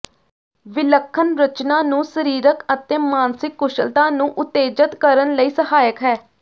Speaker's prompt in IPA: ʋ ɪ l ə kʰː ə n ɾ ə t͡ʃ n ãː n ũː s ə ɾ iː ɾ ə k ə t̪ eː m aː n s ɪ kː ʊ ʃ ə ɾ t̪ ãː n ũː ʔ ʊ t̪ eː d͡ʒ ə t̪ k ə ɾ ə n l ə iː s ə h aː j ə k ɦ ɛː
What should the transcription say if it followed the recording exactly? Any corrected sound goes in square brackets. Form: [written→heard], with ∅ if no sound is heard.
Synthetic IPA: ʋ ɪ l ə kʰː ə n ɾ ə t͡ʃ n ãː n ũː s ə ɾ iː ɾ ə k ə t̪ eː m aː n s ɪ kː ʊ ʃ ə [ɾ→l] t̪ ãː n ũː ʔ ʊ t̪ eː d͡ʒ ə t̪ k ə ɾ ə n l ə iː s ə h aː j ə k ɦ ɛː